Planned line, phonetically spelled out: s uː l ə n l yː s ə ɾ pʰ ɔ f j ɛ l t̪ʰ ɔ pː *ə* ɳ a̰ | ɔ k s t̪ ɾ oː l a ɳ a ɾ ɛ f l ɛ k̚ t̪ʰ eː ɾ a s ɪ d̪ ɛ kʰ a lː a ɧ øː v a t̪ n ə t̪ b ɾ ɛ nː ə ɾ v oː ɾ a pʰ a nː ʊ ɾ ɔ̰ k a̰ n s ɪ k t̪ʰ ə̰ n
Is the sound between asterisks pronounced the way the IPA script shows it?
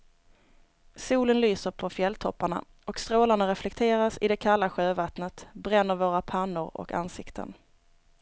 no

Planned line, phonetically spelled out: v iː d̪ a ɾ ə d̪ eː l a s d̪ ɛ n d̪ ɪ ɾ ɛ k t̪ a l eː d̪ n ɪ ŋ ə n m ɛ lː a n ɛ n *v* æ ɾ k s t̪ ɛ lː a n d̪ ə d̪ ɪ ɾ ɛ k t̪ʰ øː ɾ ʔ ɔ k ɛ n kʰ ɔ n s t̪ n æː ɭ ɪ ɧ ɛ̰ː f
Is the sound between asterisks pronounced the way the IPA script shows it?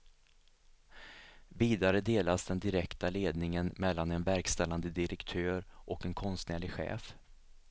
yes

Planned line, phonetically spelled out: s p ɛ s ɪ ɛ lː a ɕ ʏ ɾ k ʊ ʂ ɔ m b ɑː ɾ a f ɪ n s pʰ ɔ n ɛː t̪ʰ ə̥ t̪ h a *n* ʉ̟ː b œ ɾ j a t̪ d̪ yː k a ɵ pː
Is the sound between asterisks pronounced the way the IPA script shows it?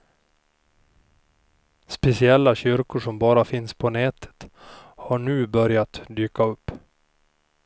no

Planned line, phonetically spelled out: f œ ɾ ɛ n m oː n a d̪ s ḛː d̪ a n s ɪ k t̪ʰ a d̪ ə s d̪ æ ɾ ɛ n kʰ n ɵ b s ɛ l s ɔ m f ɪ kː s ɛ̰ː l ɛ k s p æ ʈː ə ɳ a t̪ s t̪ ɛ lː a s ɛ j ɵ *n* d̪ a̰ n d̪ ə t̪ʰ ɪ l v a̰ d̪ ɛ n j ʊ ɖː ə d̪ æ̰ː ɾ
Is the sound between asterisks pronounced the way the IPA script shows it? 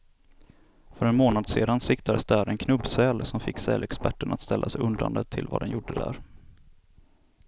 yes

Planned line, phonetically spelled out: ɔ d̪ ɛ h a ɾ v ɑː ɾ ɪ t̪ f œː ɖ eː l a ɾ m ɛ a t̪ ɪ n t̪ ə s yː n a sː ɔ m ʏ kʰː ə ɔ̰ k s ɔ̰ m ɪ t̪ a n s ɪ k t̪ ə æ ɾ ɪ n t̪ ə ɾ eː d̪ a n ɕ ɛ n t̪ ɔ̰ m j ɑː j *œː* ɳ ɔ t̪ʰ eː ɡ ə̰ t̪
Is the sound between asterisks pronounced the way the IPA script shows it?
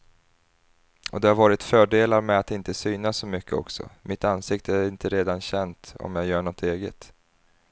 yes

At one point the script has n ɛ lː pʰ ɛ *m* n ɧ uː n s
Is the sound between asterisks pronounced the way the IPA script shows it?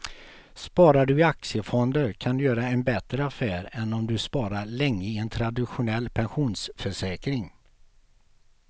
no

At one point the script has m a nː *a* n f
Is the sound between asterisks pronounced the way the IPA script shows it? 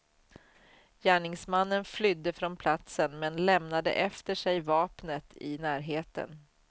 no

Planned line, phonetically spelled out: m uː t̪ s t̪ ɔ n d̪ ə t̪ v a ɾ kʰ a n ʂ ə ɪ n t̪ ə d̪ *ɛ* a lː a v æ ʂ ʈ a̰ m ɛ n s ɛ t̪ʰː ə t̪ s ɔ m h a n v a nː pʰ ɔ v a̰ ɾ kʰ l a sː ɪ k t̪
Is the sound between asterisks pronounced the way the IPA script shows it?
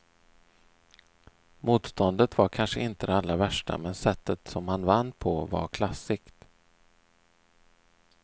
yes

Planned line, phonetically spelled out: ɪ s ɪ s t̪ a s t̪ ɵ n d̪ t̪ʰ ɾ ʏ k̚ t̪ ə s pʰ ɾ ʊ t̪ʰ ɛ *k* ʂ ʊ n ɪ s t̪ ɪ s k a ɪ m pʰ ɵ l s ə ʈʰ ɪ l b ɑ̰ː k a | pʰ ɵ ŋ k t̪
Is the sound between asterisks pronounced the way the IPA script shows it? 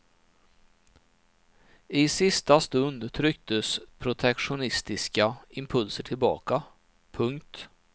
yes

